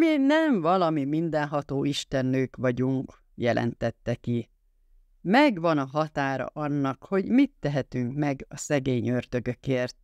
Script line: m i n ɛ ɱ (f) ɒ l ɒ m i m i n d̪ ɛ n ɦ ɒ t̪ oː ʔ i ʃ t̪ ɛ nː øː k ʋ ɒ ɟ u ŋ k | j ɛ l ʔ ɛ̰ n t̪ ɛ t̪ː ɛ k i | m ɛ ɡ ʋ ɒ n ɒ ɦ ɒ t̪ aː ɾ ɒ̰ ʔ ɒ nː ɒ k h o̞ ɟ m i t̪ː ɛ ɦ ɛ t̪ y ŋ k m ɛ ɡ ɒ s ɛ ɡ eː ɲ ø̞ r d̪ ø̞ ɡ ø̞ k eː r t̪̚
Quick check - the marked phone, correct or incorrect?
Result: incorrect